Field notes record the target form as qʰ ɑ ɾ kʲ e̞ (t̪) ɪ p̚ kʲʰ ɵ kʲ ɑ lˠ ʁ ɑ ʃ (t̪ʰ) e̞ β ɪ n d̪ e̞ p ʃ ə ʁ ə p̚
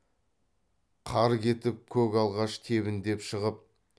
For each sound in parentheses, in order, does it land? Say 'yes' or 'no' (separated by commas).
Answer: yes, yes